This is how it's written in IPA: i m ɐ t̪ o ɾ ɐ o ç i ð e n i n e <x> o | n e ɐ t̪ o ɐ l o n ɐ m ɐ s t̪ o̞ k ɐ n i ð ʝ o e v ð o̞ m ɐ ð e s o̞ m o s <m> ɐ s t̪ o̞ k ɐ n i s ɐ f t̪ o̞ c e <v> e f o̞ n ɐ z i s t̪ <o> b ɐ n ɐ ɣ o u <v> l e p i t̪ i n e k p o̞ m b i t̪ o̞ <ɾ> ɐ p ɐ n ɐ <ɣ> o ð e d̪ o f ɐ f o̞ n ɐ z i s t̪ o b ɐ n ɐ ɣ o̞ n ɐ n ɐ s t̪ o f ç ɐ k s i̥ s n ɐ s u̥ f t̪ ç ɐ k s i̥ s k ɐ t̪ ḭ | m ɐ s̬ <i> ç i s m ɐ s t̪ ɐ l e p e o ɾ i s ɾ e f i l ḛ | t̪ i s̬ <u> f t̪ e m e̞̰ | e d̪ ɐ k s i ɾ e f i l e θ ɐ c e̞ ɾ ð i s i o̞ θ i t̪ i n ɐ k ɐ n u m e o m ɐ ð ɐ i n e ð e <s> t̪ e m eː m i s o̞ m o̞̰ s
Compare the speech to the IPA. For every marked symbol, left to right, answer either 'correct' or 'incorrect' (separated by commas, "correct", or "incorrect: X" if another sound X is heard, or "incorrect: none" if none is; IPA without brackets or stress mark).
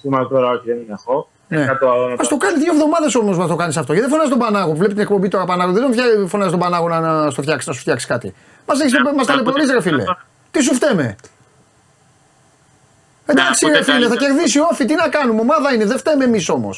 correct, correct, incorrect: ð, correct, correct, correct, correct, incorrect: e, correct, incorrect: f